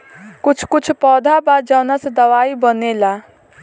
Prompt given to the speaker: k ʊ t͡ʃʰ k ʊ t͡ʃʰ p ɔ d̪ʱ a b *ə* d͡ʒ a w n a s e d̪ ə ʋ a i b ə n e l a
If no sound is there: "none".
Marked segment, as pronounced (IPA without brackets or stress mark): a